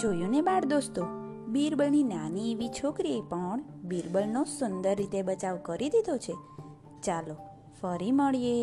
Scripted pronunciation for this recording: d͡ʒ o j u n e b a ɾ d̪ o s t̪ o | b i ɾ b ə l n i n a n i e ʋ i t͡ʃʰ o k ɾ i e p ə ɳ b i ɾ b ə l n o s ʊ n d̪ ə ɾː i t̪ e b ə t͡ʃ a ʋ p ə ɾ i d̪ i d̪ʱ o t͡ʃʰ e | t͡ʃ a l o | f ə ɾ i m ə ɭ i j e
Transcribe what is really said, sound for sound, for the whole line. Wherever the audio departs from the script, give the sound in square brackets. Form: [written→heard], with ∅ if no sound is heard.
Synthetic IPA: d͡ʒ o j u n e b a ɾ d̪ o s t̪ o | b i ɾ b ə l n i n a n i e ʋ i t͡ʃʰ o k ɾ i e p ə ɳ b i ɾ b ə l n o s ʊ n d̪ ə ɾː i t̪ e b ə t͡ʃ a ʋ [p→k] ə ɾ i d̪ i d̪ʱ o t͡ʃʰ e | t͡ʃ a l o | f ə ɾ i m ə ɭ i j e